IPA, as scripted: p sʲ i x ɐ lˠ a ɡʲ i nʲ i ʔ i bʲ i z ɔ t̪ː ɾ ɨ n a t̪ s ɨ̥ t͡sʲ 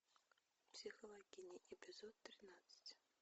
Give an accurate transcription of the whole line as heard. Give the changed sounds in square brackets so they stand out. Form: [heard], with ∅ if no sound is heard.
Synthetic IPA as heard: p sʲ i x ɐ lˠ a ɡʲ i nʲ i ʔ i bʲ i z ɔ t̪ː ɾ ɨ n a t̪ s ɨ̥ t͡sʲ